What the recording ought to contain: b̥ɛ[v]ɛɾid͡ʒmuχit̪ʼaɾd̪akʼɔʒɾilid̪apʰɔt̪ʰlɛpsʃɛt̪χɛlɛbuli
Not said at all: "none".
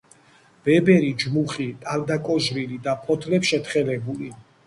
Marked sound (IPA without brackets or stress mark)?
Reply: b